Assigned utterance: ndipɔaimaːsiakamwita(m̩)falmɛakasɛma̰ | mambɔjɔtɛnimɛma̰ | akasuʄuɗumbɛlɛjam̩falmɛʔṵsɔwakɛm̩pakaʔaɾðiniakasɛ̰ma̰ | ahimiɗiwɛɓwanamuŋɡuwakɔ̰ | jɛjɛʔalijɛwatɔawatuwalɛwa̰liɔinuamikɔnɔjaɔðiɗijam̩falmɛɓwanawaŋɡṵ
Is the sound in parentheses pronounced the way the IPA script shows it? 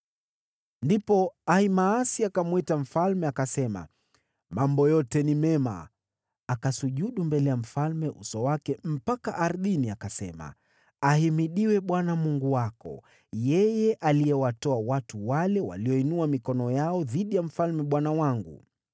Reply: yes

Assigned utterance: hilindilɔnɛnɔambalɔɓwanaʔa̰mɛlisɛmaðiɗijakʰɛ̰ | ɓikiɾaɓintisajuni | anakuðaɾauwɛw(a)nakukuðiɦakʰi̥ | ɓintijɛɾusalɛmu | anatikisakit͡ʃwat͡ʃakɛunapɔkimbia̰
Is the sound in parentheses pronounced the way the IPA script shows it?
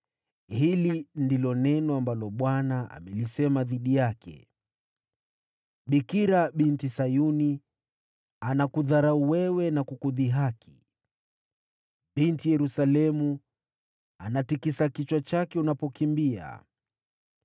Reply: no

